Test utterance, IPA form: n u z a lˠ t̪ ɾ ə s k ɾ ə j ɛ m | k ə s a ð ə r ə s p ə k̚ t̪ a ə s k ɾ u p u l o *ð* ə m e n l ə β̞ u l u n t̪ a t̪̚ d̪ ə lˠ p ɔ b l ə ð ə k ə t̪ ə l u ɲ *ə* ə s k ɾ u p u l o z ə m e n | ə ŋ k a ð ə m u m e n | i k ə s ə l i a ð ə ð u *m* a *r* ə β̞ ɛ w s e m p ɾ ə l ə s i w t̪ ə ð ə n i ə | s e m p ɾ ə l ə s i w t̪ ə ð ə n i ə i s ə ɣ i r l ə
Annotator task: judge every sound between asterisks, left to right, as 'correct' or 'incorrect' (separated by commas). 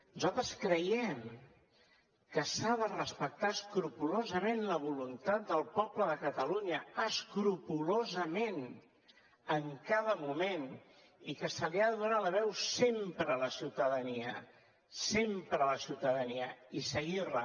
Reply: incorrect, correct, incorrect, incorrect